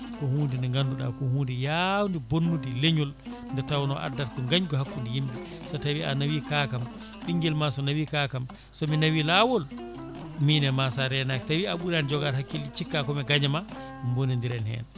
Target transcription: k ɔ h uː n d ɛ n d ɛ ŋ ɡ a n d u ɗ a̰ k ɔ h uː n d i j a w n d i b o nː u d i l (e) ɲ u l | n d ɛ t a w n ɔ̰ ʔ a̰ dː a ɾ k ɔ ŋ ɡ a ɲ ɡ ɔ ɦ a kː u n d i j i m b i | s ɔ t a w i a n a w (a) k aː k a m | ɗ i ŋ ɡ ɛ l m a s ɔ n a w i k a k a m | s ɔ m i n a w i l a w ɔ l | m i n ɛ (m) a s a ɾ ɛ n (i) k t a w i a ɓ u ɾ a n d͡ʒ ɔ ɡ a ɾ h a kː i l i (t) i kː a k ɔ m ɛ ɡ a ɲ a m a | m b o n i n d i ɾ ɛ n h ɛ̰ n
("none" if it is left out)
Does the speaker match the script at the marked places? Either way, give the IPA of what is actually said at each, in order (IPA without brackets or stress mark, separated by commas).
e, i, m, a, t͡ʃ